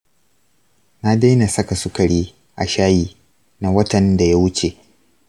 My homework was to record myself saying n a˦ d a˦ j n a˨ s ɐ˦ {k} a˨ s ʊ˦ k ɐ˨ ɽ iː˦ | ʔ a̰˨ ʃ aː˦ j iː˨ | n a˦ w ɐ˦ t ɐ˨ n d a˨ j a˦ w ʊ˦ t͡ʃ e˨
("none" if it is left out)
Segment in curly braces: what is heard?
k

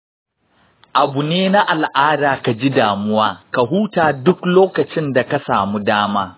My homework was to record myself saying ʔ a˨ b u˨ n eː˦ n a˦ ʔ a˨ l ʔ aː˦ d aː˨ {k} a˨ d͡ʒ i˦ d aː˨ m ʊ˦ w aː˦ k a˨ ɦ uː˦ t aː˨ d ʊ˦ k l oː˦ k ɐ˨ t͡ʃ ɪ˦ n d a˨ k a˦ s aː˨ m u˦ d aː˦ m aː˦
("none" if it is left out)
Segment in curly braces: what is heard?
k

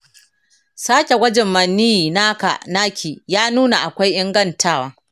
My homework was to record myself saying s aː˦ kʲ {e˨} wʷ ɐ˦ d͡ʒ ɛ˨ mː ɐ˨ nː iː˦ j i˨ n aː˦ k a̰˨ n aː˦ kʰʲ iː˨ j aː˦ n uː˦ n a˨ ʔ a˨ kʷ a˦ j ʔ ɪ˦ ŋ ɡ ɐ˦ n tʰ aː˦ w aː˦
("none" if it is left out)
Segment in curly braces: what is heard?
e˨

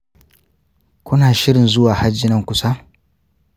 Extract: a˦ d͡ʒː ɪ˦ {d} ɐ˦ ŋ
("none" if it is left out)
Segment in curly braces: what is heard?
n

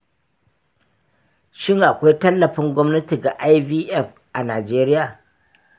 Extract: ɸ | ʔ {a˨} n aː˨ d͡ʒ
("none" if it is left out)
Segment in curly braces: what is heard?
a˨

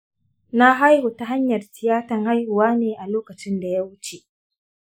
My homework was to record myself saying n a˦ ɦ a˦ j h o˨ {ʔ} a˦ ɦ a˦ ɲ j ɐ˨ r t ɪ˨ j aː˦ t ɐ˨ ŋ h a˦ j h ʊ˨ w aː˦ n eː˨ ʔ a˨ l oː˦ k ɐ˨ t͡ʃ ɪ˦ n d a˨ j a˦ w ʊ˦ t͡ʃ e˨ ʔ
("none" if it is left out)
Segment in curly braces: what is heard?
t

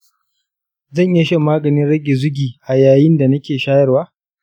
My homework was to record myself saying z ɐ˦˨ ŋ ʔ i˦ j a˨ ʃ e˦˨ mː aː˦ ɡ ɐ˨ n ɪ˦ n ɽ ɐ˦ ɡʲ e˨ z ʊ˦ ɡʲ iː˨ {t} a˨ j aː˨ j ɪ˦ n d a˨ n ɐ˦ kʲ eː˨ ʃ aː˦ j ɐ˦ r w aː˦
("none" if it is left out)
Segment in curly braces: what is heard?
ʔ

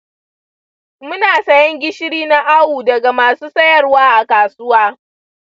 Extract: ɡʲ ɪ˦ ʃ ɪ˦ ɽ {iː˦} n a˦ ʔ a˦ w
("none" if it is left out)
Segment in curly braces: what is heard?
iː˦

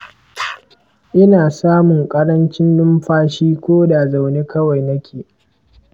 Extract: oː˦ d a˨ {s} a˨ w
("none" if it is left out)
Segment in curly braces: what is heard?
z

